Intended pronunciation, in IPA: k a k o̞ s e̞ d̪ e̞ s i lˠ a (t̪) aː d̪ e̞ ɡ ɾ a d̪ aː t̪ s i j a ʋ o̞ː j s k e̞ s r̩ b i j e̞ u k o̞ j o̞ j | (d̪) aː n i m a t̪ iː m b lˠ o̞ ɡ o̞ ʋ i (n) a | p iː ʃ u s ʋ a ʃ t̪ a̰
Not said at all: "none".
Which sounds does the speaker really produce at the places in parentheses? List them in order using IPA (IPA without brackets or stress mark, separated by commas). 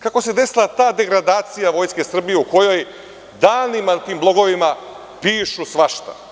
t̪, d̪, m